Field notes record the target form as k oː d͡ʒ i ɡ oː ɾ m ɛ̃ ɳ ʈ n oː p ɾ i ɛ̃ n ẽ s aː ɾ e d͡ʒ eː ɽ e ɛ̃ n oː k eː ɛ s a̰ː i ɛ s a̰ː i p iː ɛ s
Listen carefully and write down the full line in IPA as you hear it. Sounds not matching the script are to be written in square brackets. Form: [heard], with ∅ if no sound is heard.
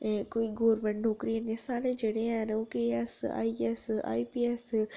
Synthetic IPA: k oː [∅] i ɡ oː ɾ m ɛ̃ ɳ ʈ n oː [k] ɾ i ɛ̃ n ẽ s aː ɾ e d͡ʒ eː ɽ e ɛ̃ n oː k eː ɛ s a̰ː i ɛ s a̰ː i p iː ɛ s

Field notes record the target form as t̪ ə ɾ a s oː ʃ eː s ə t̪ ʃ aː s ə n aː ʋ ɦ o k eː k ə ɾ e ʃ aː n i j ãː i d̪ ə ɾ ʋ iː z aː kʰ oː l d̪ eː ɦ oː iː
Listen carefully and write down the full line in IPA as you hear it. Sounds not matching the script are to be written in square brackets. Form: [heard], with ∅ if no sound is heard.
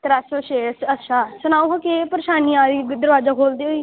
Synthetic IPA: t̪ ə ɾ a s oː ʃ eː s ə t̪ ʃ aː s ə n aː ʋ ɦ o k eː [p] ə ɾ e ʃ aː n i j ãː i d̪ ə ɾ ʋ [aː] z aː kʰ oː l d̪ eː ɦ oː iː

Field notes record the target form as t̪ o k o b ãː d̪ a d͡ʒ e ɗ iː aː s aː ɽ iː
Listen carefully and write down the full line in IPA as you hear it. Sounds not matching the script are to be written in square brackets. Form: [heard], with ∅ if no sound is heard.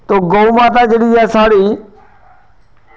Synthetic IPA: t̪ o [ɡ] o [m] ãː [t̪] a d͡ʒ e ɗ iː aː s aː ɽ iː

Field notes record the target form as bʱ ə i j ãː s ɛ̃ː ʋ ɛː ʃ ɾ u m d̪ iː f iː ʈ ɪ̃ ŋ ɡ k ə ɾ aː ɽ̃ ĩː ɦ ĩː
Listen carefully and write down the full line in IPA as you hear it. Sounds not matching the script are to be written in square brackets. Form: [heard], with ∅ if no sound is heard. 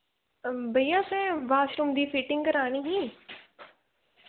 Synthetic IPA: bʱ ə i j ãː s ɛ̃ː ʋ [aː] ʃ ɾ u m d̪ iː f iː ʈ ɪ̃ ŋ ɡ k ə ɾ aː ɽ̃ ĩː ɦ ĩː

